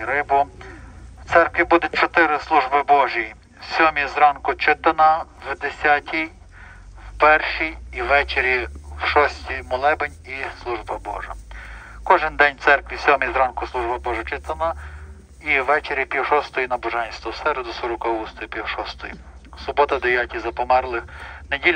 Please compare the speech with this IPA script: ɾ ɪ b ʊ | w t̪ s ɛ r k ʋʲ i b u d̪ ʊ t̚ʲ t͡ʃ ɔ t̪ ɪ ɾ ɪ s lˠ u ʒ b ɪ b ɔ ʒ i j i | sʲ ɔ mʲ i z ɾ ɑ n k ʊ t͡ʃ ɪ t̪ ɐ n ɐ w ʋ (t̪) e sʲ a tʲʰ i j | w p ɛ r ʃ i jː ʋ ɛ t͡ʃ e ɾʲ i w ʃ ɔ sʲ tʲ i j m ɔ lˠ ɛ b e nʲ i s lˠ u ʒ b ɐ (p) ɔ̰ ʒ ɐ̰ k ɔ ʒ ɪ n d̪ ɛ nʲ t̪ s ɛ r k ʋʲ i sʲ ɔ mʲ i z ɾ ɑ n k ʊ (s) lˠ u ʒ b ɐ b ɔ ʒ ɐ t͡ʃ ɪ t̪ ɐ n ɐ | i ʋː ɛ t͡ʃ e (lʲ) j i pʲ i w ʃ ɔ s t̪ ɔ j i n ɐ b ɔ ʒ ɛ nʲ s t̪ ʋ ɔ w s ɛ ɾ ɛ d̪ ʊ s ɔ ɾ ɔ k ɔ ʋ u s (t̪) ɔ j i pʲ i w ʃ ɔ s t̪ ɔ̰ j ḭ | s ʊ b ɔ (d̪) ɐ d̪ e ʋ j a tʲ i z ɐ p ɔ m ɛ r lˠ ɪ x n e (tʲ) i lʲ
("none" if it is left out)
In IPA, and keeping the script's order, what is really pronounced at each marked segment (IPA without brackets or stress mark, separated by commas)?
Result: d̪, b, s, ɾʲ, t̪, t̪, dʲ